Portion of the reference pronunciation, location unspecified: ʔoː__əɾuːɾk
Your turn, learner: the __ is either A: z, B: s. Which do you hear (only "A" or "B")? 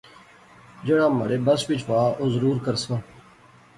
A